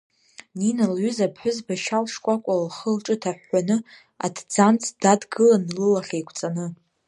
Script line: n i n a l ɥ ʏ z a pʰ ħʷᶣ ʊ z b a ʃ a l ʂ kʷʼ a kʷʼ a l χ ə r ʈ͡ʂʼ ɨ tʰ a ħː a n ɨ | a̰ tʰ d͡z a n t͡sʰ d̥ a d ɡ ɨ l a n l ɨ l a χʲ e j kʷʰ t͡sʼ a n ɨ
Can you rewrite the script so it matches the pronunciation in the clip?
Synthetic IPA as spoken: n i n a l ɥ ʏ z a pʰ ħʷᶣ ʊ z b a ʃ a l ʂ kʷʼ a kʷʼ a l χ ə l ʈ͡ʂʼ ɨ tʰ a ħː a n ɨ | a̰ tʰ d͡z a n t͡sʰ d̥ a d ɡ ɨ l a n l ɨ l a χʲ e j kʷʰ t͡sʼ a n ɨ